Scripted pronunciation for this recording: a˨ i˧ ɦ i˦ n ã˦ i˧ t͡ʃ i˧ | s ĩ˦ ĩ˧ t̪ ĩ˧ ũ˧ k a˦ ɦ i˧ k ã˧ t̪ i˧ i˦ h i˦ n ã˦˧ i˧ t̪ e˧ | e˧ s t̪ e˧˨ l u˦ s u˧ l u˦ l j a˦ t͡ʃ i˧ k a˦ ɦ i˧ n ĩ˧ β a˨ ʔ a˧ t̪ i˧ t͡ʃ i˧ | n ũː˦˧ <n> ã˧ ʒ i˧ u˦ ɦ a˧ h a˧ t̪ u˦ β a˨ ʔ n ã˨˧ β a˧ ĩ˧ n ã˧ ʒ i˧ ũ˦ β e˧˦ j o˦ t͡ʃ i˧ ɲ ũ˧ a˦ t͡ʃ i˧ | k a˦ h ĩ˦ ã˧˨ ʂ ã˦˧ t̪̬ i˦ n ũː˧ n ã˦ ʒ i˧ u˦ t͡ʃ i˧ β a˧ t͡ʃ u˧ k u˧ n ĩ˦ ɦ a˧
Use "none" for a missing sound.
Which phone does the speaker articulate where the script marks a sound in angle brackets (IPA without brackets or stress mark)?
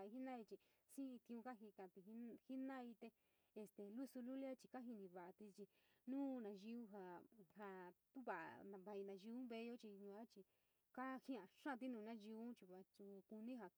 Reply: n